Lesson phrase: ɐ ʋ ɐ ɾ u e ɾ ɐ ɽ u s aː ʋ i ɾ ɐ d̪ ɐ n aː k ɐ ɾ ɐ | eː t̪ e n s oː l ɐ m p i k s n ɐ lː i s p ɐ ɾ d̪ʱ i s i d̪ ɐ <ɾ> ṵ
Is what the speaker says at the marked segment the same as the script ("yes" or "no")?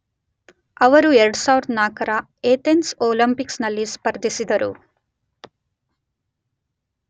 yes